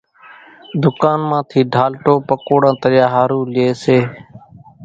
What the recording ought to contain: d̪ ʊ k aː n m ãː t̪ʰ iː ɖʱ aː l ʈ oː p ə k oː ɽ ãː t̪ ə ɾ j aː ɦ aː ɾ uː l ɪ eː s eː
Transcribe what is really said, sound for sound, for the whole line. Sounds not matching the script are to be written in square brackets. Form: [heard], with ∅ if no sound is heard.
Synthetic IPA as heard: d̪ ʊ k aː n m ãː t̪ʰ iː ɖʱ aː l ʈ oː p ə k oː ɽ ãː t̪ ə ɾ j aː ɦ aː ɾ uː l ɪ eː s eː